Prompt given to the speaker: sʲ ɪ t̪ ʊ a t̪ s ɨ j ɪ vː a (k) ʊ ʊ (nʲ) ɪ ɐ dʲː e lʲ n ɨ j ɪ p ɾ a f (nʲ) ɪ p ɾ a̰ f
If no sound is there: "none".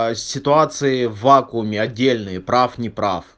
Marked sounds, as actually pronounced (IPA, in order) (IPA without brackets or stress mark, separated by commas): k, mʲ, nʲ